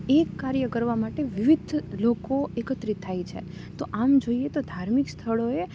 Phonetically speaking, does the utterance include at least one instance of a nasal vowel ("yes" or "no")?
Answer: no